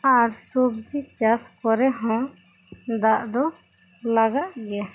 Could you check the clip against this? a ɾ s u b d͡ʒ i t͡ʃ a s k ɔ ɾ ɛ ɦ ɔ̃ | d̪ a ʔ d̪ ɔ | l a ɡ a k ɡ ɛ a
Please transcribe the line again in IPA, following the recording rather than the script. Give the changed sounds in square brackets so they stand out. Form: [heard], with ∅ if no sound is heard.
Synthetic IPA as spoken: a ɾ s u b d͡ʒ i t͡ʃ a s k ɔ ɾ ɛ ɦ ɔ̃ | d̪ a ʔ d̪ ɔ | l a ɡ a [ʔ] ɡ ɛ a